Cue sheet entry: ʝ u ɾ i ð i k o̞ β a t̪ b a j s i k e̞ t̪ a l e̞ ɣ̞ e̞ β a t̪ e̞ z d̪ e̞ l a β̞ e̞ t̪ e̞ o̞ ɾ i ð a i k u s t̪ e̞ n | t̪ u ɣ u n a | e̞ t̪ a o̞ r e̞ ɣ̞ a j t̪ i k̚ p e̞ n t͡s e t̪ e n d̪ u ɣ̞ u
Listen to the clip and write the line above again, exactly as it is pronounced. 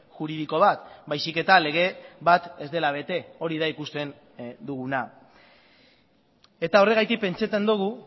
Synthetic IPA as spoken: ʝ u ɾ i ð i k o̞ β a t̪ b a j s i k e̞ t̪ a l e̞ ɣ̞ e̞ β a t̪ e̞ z d̪ e̞ l a β̞ e̞ t̪ e̞ o̞ ɾ i ð a i k u s t̪ e̞ n | d̪ u ɣ u n a | e̞ t̪ a o̞ r e̞ ɣ̞ a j t̪ i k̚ p e̞ n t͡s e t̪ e n d̪ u ɣ̞ u